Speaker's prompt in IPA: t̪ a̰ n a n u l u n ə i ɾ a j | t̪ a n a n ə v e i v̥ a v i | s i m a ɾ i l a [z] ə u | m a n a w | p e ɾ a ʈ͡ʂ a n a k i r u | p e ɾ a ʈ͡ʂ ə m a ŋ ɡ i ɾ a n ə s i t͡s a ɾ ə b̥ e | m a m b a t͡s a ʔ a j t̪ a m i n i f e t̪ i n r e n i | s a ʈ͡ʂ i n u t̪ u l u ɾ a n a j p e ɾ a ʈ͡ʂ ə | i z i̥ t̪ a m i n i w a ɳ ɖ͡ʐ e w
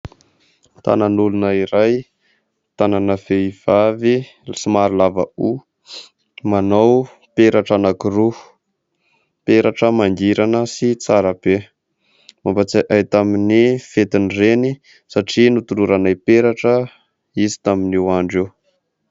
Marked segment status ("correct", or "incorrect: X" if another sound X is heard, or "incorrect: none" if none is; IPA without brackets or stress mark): incorrect: v